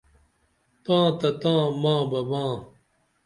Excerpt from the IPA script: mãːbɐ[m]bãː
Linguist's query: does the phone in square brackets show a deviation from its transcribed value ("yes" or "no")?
yes